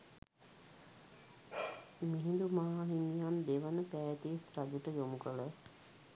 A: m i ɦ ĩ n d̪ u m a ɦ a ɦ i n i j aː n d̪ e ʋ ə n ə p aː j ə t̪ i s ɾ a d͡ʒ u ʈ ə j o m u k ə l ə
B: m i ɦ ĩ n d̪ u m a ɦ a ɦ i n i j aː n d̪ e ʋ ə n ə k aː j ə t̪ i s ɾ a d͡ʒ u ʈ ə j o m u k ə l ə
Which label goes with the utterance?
A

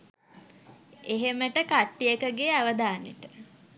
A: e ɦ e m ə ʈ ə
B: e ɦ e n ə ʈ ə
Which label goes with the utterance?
A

